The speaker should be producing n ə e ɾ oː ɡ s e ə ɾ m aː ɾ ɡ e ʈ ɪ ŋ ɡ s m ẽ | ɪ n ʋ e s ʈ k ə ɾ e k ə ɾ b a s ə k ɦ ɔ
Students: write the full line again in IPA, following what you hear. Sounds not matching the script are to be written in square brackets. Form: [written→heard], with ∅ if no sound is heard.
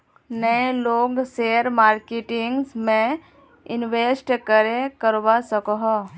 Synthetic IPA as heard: n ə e [ɾ→l] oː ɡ s e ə ɾ m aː ɾ [ɡ→k] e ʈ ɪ ŋ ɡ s m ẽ | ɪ n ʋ e s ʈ k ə ɾ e k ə ɾ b a s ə k ɦ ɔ